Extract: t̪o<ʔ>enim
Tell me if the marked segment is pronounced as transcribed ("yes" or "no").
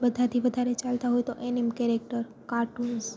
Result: yes